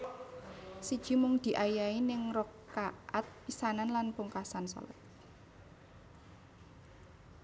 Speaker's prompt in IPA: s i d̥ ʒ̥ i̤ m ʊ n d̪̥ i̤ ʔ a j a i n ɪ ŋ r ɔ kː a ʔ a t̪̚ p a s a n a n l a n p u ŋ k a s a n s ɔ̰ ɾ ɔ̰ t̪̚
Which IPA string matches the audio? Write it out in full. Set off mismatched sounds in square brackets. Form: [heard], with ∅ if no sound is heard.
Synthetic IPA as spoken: s i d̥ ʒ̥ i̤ m ʊ [ŋ] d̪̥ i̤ ʔ a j a i n ɪ ŋ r ɔ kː a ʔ a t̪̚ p [i] s a n a n l a n p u ŋ k a s a n s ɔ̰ [l] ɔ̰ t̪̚